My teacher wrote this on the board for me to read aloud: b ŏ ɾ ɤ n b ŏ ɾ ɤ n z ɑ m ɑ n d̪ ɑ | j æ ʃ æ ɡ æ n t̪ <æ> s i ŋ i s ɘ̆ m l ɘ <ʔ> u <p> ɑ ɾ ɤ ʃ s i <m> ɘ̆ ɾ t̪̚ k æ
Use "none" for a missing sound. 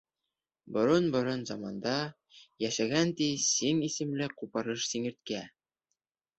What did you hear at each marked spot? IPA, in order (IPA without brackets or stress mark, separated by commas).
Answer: i, q, p, ŋ